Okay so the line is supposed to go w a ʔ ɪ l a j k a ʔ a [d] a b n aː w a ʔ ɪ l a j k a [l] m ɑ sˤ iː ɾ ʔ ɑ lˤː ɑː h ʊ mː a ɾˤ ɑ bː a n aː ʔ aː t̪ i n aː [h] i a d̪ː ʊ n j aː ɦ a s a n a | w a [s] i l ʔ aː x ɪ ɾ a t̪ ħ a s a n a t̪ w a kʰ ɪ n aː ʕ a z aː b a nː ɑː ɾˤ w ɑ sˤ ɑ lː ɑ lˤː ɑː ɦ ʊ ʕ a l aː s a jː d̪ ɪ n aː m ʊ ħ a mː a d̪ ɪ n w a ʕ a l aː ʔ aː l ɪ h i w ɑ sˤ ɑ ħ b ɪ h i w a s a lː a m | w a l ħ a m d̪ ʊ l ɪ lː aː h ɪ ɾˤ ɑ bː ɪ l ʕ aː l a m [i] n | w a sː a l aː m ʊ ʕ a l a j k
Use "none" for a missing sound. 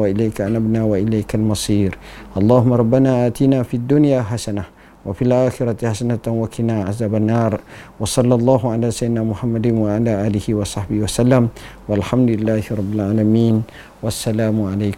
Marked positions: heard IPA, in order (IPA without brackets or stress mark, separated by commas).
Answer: n, l, f, f, iː